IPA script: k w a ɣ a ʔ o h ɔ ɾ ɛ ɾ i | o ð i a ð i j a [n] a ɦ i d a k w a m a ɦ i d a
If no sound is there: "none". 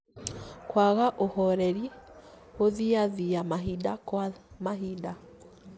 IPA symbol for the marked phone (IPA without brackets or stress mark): m